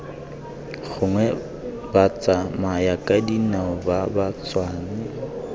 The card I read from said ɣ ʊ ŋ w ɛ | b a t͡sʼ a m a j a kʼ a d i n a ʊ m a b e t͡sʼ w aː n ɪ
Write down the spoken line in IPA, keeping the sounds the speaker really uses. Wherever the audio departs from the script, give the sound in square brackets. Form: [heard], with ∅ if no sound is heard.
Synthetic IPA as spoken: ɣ ʊ ŋ w ɛ | b a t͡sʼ a m a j a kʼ a d i n a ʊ [b] a b [a] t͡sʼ w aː n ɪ